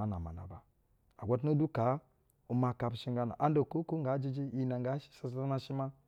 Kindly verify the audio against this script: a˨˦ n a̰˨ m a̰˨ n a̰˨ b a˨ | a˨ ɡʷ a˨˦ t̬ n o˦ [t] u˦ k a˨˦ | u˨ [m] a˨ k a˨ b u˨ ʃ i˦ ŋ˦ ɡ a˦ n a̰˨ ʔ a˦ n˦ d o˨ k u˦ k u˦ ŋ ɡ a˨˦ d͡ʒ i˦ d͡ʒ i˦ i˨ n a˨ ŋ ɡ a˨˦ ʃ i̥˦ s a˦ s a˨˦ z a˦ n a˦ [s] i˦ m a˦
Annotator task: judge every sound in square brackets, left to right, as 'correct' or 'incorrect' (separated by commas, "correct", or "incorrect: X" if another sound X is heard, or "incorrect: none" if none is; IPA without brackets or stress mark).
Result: incorrect: d, correct, incorrect: ʃ